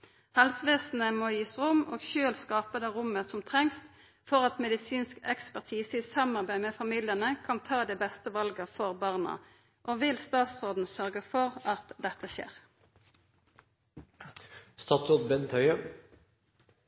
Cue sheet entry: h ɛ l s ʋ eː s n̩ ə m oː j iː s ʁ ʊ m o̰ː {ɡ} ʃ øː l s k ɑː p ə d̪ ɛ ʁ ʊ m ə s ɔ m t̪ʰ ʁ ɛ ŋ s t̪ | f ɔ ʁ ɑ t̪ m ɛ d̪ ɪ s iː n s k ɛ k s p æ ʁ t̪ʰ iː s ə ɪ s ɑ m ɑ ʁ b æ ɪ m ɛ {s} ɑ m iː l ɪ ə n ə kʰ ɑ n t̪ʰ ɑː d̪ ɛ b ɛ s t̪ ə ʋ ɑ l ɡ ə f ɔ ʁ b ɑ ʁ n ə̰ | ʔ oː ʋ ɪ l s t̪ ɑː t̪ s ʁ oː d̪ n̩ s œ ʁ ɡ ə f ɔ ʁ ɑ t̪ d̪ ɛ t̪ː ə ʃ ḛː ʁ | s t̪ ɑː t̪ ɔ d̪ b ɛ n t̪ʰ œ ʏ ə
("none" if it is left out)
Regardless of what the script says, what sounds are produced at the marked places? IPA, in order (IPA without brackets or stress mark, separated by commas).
ɡ, f